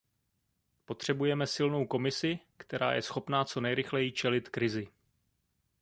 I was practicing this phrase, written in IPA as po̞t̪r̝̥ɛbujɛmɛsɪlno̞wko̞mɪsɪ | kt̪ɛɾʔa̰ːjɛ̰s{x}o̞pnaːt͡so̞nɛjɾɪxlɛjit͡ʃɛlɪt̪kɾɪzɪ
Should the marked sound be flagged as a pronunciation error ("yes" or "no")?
no